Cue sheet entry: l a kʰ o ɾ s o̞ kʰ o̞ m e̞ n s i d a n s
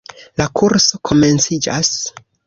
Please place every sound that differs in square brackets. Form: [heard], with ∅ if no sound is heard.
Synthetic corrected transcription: l a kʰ [u] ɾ s o̞ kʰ o̞ m e̞ n [t͡s] i [d͡ʒ] a [∅] s